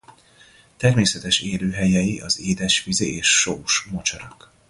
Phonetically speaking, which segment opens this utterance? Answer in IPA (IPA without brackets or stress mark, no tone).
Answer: t̪